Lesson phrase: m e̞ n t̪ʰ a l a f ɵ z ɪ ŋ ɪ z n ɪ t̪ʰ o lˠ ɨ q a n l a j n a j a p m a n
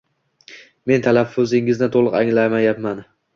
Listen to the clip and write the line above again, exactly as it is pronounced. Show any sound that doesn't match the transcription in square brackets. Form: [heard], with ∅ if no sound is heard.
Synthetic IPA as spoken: m e̞ n t̪ʰ a l a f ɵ z ɪ ŋ ɪ z n ɪ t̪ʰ o lˠ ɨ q a [ŋ] l a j [m] a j a p m a n